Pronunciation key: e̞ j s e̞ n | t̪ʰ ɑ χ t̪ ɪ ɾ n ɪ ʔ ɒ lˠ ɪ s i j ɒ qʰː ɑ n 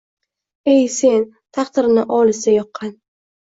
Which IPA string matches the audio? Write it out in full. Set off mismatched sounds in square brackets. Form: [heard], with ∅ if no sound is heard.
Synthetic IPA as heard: e̞ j s e̞ n | t̪ʰ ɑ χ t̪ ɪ ɾ n ɪ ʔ ɒ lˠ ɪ s [a] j ɒ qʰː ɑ n